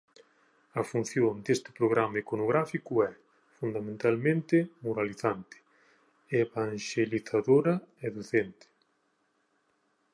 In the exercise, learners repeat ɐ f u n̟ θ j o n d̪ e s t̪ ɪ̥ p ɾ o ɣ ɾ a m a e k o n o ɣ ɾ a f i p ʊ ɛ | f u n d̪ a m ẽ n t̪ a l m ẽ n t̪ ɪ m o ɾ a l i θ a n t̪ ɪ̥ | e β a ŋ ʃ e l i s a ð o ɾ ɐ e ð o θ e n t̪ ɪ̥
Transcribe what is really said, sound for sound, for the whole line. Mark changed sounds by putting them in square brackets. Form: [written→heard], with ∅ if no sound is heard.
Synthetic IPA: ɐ f u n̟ θ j o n d̪ e s t̪ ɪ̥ p ɾ o ɣ ɾ a m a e k o n o ɣ ɾ a f i [p→k] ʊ ɛ | f u n d̪ a m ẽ n t̪ a l m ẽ n t̪ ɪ m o ɾ a l i θ a n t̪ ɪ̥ | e β a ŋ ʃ e l i [s→θ] a ð o ɾ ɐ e ð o θ e n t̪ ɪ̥